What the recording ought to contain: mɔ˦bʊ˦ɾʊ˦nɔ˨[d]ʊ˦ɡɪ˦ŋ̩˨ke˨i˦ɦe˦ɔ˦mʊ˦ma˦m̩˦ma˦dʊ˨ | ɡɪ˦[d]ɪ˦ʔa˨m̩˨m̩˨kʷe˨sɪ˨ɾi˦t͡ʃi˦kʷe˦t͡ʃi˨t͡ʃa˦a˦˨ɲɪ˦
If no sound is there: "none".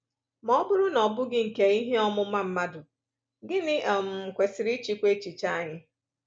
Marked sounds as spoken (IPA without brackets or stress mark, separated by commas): b, n